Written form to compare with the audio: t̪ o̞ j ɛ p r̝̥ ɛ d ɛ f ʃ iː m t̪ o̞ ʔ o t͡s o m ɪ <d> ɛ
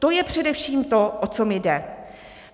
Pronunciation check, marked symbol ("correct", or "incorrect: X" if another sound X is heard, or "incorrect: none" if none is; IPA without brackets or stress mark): correct